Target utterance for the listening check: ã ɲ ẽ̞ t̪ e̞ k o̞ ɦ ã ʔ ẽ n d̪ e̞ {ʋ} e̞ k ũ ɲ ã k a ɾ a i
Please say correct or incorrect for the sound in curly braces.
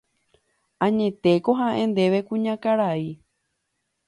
correct